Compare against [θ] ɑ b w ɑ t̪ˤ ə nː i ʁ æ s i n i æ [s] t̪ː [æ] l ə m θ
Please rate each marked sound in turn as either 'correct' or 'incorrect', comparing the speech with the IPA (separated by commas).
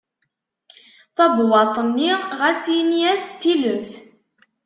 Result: correct, correct, incorrect